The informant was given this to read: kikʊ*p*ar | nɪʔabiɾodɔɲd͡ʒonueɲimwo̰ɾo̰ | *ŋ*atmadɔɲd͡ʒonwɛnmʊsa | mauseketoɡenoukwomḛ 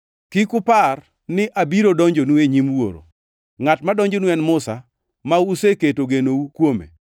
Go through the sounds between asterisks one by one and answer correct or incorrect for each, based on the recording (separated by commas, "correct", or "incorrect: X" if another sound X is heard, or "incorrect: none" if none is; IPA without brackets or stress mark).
correct, correct